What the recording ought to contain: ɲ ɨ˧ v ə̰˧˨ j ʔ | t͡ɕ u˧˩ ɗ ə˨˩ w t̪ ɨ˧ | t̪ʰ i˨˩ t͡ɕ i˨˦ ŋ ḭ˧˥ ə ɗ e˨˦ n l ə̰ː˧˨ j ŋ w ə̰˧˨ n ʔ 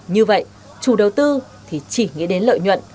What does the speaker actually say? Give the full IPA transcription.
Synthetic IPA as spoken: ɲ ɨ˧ v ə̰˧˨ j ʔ | t͡ɕ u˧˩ ɗ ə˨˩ w t̪ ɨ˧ | t̪ʰ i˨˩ t͡ɕ i˧˩ ŋ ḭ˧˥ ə ɗ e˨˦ n l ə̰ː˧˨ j ɲ w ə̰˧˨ n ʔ